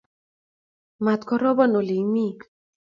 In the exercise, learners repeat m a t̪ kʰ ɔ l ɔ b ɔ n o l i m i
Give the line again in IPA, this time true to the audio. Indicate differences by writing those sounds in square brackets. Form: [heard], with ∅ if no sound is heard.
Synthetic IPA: m a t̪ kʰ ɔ [ɾ] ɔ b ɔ n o l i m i